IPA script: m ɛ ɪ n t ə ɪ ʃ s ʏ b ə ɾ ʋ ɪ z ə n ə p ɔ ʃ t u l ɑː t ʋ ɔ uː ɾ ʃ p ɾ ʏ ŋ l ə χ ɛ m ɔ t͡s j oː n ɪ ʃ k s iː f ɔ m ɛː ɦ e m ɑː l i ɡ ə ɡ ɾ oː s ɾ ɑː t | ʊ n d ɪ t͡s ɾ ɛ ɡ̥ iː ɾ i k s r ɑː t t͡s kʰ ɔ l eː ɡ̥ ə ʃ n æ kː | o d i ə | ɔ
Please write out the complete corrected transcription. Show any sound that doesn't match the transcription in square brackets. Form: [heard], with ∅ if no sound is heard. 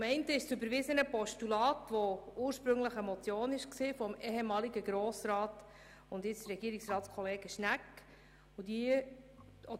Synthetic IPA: m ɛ ɪ n t ə ɪ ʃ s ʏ b ə ɾ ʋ ɪ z ə n ə p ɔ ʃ t u l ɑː t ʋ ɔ uː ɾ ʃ p ɾ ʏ ŋ l ə χ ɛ m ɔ t͡s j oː n ɪ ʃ k s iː f ɔ m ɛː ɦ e m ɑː l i ɡ ə ɡ ɾ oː s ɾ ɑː t | ʊ n d ɪ t͡s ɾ ɛ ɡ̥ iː ɾ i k s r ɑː t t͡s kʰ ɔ l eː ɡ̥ ə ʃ n æ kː | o d i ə | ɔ